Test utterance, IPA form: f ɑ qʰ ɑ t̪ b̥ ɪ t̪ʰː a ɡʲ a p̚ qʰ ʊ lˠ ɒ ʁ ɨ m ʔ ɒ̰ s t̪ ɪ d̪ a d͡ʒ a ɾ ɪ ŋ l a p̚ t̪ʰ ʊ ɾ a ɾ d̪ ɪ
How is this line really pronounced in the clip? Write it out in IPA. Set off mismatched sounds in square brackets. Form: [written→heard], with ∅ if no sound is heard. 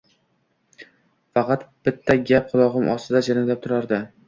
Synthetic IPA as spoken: f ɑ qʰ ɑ t̪ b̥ ɪ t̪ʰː a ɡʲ a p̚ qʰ ʊ lˠ ɒ ʁ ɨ m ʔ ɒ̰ s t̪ ɪ d̪ a d͡ʒ a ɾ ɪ ŋ l a p̚ t̪ʰ ʊ ɾ a ɾ d̪ ɪ